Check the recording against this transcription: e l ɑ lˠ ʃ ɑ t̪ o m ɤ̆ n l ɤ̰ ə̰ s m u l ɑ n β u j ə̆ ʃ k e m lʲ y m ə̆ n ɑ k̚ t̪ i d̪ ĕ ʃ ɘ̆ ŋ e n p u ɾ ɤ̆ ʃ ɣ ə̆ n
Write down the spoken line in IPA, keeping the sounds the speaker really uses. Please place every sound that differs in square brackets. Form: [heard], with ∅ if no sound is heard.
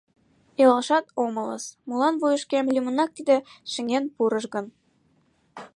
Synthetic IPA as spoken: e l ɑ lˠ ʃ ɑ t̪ o m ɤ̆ [∅] l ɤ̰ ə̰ s m u l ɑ n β u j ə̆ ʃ k e m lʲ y m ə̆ n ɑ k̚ t̪ i d̪ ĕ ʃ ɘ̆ ŋ e n p u ɾ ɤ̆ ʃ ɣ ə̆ n